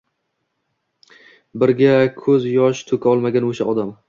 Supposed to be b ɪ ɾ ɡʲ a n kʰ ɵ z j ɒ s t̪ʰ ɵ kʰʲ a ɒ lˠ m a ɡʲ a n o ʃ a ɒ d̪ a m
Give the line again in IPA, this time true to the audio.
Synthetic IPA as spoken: b ɪ ɾ ɡʲ a kʰ ɵ z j ɒ ʃ t̪ʰ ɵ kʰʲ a ɒ lˠ m a ɡʲ a n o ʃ a ɒ d̪ a m